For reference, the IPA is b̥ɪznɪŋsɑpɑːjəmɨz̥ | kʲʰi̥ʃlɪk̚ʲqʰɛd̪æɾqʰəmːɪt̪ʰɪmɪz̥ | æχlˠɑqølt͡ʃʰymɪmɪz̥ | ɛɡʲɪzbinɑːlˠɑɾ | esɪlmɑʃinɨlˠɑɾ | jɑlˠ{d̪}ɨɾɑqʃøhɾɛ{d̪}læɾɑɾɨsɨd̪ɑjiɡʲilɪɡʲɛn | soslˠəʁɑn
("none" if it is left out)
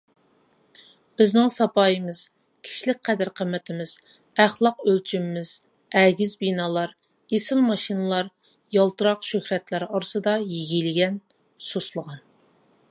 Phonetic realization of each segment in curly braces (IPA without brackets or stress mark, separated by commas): t̪, t̪